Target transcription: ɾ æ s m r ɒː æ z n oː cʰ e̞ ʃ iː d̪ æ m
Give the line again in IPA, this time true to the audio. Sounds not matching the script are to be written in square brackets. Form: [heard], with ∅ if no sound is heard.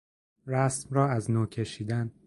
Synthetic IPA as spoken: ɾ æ s m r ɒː æ z n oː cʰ e̞ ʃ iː d̪ æ [n]